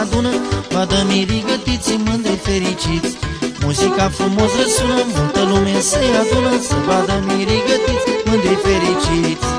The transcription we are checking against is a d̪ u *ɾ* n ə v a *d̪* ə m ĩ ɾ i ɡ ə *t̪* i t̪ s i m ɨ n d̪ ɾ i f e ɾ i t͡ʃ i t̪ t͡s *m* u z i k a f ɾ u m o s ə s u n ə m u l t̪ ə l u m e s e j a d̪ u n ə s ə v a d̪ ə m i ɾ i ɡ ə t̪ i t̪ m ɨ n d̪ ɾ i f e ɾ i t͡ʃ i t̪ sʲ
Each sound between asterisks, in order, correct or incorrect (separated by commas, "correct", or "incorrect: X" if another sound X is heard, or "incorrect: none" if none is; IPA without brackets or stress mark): incorrect: none, correct, correct, correct